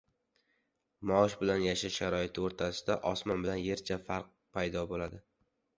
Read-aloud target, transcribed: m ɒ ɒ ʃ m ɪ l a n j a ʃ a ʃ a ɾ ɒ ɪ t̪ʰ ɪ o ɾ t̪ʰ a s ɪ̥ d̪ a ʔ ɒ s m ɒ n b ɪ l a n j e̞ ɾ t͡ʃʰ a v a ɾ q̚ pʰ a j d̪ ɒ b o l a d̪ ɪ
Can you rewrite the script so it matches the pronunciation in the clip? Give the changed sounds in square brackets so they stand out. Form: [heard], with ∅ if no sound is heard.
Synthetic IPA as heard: m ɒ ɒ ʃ [b] ɪ l a n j a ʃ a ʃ a ɾ ɒ ɪ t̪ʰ ɪ o ɾ t̪ʰ a s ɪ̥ d̪ a ʔ ɒ s m ɒ n b ɪ l a n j e̞ ɾ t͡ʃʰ a [f] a ɾ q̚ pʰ a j d̪ ɒ b o l a d̪ ɪ

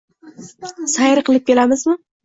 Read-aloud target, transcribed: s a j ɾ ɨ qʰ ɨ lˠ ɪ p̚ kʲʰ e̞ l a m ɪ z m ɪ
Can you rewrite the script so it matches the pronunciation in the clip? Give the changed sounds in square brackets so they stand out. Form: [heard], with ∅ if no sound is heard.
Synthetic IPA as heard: s a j ɾ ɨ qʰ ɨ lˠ ɪ p̚ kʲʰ e̞ l a m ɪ z m ɪ

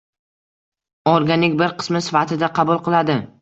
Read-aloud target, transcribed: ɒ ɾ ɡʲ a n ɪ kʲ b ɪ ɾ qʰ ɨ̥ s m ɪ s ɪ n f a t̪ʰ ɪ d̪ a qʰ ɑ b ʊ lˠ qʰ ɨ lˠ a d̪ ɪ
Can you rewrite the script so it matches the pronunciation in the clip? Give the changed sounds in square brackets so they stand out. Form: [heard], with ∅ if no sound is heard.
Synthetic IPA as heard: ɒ ɾ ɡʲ a n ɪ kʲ b ɪ ɾ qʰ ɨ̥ s m ɪ s ɪ [∅] f a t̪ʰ ɪ d̪ a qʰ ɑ b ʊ lˠ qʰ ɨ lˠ a d̪ ɪ

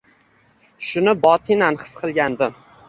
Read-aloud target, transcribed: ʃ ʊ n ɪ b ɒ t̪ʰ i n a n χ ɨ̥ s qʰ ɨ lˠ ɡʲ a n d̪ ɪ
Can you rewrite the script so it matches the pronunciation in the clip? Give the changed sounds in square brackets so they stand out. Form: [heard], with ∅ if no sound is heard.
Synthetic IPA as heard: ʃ ʊ n ɪ b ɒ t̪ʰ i n a n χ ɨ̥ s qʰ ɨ lˠ ɡʲ a n d̪ ɪ

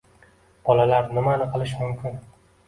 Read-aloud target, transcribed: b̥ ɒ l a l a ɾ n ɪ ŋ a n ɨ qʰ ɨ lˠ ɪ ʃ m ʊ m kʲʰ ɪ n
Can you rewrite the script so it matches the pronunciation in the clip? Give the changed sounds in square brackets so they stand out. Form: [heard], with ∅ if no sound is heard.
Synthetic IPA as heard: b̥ ɒ l a l a ɾ n ɪ [m] a n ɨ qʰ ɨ lˠ ɪ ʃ m ʊ m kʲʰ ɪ n

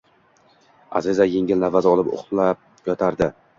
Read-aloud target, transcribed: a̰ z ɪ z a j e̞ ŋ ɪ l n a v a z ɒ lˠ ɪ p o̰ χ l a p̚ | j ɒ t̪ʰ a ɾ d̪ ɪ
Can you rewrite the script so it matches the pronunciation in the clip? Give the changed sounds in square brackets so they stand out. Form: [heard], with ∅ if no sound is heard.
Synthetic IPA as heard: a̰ z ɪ z a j e̞ ŋ ɪ l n a v a z ɒ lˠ ɪ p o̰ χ l a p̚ | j ɒ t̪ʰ a ɾ d̪ ɪ

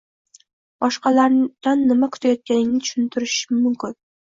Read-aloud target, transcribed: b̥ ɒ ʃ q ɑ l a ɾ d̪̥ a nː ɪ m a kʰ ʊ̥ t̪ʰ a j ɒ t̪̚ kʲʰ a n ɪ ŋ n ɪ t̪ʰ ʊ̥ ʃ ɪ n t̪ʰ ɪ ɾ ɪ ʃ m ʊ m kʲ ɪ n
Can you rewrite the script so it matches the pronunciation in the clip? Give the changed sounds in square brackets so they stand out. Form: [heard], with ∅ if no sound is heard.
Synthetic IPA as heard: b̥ ɒ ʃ q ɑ l a ɾ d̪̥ a nː ɪ m a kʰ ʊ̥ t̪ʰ a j ɒ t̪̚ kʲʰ a n ɪ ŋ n ɪ t̪ʰ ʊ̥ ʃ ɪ n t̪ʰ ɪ ɾ ɪ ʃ m ʊ m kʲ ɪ n

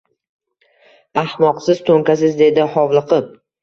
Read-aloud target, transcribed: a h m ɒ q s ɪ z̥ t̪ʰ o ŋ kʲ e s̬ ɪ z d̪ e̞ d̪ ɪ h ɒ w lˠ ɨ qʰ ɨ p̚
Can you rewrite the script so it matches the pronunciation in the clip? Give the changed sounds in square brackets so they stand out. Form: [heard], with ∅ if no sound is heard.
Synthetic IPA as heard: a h m ɒ q s ɪ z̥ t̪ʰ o ŋ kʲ [a] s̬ ɪ z d̪ e̞ d̪ ɪ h ɒ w lˠ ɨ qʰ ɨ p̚

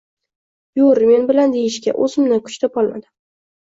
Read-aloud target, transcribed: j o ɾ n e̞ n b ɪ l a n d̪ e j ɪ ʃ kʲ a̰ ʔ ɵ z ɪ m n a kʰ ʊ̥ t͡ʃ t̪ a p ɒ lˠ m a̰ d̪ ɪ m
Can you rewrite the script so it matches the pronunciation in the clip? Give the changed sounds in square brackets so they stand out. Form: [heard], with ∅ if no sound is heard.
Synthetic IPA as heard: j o ɾ [m] e̞ n b ɪ l a n d̪ e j ɪ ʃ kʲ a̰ ʔ ɵ z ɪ m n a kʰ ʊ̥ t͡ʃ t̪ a p ɒ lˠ m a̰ d̪ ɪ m

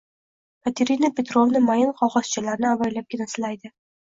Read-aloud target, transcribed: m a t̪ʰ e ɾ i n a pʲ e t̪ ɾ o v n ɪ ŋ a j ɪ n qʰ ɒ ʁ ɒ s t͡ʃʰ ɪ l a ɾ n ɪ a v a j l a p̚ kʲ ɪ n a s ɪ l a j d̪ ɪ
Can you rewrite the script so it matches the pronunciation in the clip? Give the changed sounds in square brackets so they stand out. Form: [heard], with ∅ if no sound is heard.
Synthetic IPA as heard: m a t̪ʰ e ɾ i n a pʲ e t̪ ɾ o v n ɪ [m] a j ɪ n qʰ ɒ ʁ ɒ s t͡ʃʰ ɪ l a ɾ n ɪ a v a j l a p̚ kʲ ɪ n a s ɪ l a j d̪ ɪ

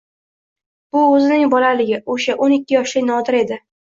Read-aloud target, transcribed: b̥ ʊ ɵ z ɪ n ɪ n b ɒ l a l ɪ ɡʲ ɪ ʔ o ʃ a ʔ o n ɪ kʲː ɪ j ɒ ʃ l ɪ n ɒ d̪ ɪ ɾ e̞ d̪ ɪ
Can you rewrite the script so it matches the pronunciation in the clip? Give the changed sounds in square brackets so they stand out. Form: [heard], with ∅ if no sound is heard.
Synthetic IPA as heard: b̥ ʊ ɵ z ɪ n ɪ [ŋ] b ɒ l a l ɪ ɡʲ ɪ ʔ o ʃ a ʔ o n ɪ kʲː ɪ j ɒ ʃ l ɪ n ɒ d̪ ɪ ɾ e̞ d̪ ɪ

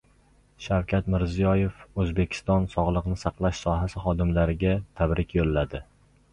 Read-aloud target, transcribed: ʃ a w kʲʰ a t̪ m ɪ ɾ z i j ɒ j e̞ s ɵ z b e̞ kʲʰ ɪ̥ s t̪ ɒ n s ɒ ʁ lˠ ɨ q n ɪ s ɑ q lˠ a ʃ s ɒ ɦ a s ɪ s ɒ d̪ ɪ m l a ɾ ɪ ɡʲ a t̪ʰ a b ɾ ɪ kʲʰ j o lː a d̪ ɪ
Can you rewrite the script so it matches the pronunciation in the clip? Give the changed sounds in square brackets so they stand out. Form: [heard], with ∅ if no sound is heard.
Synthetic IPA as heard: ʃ a w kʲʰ a t̪ m ɪ ɾ z i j ɒ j e̞ [f] ɵ z b e̞ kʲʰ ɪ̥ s t̪ ɒ n s ɒ ʁ lˠ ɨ q n ɪ s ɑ q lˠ a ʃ s ɒ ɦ a s ɪ [χ] ɒ d̪ ɪ m l a ɾ ɪ ɡʲ a t̪ʰ a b ɾ ɪ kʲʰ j o lː a d̪ ɪ

